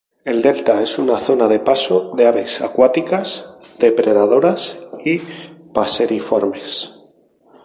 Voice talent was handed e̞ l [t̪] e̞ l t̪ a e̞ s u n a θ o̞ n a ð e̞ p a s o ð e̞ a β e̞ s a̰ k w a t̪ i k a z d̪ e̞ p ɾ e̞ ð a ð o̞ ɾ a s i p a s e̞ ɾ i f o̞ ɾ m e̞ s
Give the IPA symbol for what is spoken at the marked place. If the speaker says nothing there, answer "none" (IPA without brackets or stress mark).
d̪